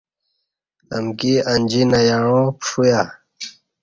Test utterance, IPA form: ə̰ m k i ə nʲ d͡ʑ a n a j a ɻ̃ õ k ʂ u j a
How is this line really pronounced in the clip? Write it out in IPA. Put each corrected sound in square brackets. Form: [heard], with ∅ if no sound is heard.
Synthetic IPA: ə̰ m k i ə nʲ d͡ʑ [i] n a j a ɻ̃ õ [p] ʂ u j a